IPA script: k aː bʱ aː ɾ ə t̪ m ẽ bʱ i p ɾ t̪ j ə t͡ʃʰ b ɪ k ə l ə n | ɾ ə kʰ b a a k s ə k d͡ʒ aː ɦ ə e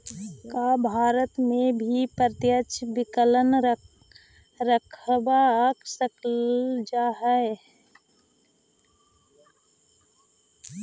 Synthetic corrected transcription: k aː bʱ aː ɾ ə t̪ m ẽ bʱ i p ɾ t̪ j ə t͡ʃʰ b ɪ k ə l ə n | ɾ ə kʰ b a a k s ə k d͡ʒ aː ɦ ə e